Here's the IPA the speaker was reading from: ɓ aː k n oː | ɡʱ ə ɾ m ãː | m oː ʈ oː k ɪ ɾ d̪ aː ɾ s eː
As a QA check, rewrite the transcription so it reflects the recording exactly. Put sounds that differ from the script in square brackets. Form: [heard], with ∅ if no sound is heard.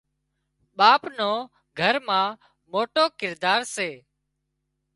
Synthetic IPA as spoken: ɓ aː [p] n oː | ɡʱ ə ɾ m ãː | m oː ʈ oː k ɪ ɾ d̪ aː ɾ s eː